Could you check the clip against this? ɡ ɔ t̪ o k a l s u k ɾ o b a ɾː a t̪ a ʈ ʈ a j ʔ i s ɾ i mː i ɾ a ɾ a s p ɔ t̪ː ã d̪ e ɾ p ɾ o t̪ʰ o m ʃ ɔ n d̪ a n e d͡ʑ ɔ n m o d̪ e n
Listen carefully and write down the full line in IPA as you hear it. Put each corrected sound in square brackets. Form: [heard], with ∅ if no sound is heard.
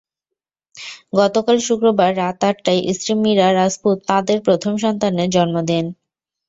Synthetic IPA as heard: ɡ ɔ t̪ o k a l [ʃ] u k ɾ o b a ɾː a t̪ a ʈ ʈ a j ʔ i s ɾ i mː i ɾ a ɾ a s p [u] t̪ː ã d̪ e ɾ p ɾ o t̪ʰ o m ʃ ɔ n [t̪] a n e d͡ʑ ɔ n m o d̪ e n

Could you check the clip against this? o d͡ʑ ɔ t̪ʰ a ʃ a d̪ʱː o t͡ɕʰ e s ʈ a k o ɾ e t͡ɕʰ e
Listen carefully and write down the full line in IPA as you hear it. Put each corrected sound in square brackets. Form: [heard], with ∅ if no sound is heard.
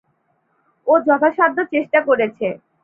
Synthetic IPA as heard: o d͡ʑ ɔ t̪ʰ a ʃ a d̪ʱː o [t͡ɕ] e [ʃ] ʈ a k o ɾ e t͡ɕʰ e

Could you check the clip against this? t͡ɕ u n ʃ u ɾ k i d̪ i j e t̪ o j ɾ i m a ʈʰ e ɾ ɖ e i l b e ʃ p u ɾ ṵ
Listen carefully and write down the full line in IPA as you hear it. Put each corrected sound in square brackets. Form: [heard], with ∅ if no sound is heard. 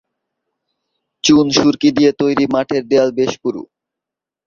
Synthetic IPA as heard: t͡ɕ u n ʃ u ɾ k i d̪ i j e t̪ o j ɾ i m a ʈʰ e ɾ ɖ e [a] l b e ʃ p u ɾ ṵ

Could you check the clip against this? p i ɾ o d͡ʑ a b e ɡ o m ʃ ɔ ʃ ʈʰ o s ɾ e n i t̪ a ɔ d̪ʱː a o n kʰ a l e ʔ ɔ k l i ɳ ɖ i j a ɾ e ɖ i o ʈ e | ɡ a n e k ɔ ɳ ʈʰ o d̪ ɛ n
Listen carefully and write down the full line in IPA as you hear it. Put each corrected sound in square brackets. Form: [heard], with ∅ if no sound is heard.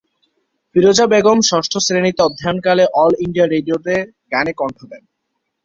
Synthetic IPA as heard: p i ɾ o d͡ʑ a b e ɡ o m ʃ ɔ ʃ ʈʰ o s ɾ e n i t̪ [e] ɔ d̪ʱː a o n [k] a l e ʔ ɔ [∅] l i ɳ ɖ i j a ɾ e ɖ i o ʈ e | ɡ a n e k ɔ ɳ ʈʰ o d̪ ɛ n

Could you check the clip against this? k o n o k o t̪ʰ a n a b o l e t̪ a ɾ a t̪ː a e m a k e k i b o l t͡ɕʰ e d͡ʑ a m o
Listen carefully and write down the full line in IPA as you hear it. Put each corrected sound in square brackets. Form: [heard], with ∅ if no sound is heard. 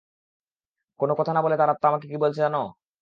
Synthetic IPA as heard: k o n o k [ɔ] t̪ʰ a n a b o l e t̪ a ɾ a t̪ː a [a] m a k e k i b o l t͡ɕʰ e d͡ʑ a [n] o

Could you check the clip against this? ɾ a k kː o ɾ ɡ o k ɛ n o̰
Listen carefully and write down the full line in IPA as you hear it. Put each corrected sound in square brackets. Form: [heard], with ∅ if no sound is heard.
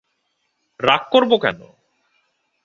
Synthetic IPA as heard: ɾ a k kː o ɾ [b] o k ɛ n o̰

